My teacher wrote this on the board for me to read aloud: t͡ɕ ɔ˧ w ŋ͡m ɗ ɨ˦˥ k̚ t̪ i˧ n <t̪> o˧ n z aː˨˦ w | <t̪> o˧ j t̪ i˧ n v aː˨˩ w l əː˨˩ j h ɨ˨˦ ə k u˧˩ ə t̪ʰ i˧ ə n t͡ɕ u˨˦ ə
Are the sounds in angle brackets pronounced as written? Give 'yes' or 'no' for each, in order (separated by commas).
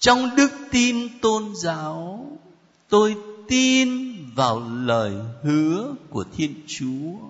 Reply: yes, yes